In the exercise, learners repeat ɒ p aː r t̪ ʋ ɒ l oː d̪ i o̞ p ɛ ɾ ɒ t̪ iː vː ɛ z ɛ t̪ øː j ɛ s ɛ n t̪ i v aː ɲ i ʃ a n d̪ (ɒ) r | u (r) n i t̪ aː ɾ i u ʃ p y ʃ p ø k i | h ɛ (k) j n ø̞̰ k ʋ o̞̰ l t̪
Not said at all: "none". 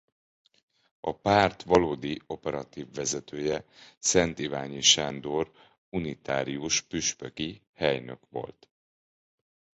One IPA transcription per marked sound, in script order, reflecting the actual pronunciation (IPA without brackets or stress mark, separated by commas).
o, none, none